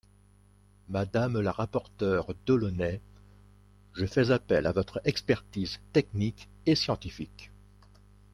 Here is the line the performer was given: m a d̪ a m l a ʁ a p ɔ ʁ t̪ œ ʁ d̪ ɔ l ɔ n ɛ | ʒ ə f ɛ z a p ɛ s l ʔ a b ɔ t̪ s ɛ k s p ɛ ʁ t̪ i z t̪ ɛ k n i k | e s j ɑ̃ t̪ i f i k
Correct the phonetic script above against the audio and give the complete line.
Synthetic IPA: m a d̪ a m l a ʁ a p ɔ ʁ t̪ œ ʁ d̪ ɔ l ɔ n ɛ | ʒ ə f ɛ z a p ɛ l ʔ a v ɔ t̪ χ ɛ k s p ɛ ʁ t̪ i z t̪ ɛ k n i k | e s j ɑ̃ t̪ i f i k